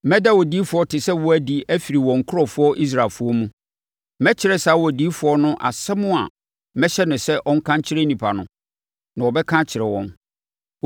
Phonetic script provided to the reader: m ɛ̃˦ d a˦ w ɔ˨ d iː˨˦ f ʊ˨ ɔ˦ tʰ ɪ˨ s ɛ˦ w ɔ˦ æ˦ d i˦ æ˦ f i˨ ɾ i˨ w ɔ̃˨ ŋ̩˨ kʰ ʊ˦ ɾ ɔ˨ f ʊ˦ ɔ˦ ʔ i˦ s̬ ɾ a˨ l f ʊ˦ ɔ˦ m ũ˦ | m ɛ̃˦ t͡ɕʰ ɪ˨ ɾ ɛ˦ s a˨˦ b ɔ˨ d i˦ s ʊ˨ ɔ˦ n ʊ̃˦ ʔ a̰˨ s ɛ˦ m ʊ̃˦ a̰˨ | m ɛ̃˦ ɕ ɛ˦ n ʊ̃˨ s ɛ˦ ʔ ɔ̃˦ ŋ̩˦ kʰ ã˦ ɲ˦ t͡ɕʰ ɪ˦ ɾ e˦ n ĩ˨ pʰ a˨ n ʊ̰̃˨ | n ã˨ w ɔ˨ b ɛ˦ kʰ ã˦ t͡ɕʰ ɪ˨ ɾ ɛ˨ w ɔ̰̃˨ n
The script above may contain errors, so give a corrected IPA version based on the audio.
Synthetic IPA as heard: m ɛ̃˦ d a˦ w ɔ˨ d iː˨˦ f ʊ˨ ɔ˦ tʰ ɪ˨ s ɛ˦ w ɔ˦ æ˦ d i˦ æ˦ f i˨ ɾ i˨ w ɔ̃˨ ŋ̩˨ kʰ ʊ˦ ɾ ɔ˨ f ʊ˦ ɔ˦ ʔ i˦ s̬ ɾ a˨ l f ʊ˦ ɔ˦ m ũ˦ | m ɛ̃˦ t͡ɕʰ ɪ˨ ɾ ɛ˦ s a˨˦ w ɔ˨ d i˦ f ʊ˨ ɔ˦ n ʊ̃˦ ʔ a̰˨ s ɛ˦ m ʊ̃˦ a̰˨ | m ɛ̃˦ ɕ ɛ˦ n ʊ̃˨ s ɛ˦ ʔ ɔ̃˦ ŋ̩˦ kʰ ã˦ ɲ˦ t͡ɕʰ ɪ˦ ɾ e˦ n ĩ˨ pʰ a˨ n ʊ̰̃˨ | n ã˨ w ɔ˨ b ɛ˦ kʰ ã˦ t͡ɕʰ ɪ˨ ɾ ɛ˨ w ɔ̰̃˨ n